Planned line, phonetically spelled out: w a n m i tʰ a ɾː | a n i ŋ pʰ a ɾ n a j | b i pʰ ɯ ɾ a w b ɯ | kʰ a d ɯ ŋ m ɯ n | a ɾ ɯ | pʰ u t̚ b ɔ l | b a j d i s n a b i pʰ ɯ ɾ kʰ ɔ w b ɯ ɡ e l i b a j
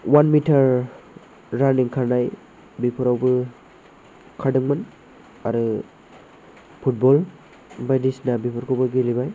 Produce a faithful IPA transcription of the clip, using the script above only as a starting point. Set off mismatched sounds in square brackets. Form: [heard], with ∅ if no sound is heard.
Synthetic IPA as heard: w a n m i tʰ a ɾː | a n i ŋ [kʰ] a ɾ n a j | b i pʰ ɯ ɾ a w b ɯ | kʰ a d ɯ ŋ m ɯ n | a ɾ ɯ | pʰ u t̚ b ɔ l | b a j d i s n a b i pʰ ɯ ɾ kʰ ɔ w b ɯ ɡ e l i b a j